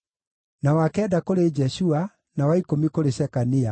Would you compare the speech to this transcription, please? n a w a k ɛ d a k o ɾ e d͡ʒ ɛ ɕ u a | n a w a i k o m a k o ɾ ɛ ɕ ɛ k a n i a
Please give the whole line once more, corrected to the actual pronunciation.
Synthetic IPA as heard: n a w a k ɛ d a k o ɾ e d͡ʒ ɛ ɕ u a | n a w a i k o m i k o ɾ e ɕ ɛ k a n i a